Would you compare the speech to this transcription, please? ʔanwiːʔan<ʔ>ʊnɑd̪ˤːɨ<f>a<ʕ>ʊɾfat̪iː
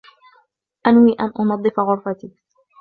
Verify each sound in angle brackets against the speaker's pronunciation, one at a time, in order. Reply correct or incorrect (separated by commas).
correct, correct, incorrect